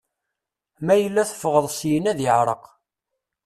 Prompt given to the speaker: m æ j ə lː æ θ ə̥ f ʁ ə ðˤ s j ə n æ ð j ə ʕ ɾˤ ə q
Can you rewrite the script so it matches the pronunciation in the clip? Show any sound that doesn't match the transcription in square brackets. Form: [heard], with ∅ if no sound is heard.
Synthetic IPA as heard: m æ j ə lː æ θ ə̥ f ʁ ə ðˤ s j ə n æ ð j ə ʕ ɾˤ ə q